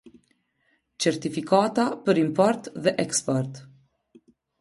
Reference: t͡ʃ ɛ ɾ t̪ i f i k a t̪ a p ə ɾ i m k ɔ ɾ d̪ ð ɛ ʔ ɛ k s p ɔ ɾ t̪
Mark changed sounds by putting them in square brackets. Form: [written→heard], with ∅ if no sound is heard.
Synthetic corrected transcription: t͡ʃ ɛ ɾ t̪ i f i k a t̪ a p ə ɾ i m [k→p] ɔ ɾ [d̪→t̪] ð ɛ ʔ ɛ k s p ɔ ɾ t̪